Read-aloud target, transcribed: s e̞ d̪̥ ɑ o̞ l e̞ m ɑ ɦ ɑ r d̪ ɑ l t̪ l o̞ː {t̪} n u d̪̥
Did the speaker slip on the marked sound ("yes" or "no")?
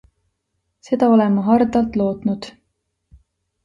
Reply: no